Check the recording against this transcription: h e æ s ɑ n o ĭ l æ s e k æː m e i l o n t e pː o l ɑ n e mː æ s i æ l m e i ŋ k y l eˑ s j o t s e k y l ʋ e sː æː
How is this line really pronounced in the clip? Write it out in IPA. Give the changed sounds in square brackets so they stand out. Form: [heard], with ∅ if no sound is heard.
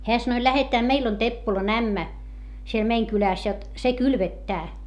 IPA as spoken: h e æ s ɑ n o ĭ l æ [h] e [t] æː m e i l o n t e pː o l ɑ n [æ] mː æ s i [e] l m e i ŋ k y l [æˑ] s j o t s e k y l ʋ e [tː] æː